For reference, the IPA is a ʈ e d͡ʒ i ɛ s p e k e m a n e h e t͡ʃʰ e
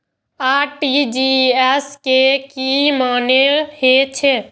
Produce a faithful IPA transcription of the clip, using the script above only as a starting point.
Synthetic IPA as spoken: a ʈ i d͡ʒ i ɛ s k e k i m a n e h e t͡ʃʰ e